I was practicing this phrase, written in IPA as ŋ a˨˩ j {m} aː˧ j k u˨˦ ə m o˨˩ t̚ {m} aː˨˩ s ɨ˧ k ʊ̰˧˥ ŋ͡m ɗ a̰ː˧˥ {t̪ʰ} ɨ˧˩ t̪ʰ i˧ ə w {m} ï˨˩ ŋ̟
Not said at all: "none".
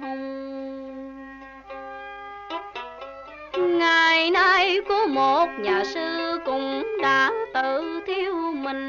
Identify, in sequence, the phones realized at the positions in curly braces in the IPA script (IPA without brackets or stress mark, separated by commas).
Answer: n, ɲ, t̪, m